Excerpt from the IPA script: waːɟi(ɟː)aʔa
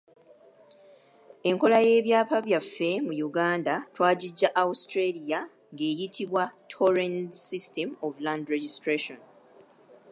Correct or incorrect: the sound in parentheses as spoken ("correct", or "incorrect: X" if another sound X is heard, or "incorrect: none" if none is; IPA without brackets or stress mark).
correct